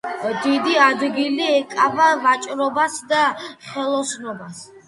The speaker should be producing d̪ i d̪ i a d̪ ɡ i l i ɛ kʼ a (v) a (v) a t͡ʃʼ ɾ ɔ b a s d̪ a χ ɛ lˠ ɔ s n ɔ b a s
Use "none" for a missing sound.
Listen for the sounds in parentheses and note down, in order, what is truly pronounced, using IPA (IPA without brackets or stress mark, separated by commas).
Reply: v, v